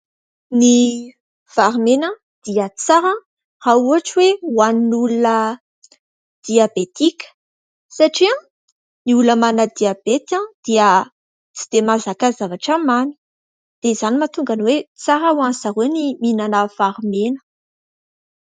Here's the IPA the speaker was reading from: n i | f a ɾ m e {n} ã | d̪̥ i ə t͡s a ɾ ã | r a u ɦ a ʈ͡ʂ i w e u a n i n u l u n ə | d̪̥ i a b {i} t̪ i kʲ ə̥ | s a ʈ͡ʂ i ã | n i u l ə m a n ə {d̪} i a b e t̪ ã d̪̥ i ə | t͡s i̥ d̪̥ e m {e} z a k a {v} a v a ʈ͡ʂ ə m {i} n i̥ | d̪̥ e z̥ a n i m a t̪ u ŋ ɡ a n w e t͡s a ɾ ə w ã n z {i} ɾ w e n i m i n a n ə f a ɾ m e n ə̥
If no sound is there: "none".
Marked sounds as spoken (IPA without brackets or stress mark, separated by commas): n, e, d̪, a, z, a, a